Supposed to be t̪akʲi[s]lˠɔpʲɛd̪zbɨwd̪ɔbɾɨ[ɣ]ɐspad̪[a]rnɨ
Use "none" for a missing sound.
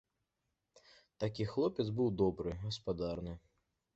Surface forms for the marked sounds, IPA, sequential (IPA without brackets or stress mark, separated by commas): x, ɣ, a